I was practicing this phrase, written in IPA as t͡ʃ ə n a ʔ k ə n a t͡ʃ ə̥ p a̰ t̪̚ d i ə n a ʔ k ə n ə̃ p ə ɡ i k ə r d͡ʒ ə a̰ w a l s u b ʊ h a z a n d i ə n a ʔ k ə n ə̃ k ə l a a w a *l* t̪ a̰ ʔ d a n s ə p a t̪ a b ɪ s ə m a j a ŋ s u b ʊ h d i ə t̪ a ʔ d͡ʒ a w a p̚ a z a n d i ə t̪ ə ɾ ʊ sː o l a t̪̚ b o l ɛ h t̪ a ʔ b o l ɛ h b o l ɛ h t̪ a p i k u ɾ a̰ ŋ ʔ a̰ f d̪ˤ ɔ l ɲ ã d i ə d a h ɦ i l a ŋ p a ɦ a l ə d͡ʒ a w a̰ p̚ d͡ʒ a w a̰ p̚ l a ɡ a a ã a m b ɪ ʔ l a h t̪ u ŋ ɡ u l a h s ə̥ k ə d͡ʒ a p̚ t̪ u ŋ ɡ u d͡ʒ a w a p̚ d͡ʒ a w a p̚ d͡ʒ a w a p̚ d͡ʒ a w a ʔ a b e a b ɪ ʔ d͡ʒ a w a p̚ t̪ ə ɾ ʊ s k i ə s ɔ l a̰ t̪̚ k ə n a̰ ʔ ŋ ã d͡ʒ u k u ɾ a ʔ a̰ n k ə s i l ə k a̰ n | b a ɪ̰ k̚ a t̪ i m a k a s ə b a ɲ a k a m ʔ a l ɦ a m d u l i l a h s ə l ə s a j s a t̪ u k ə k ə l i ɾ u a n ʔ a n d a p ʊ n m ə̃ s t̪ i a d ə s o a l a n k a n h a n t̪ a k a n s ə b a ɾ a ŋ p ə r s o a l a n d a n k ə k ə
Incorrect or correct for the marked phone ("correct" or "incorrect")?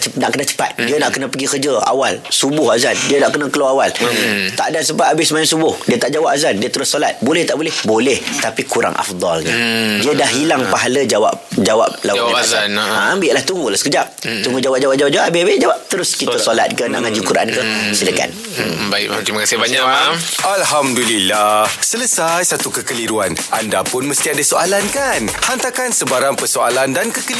correct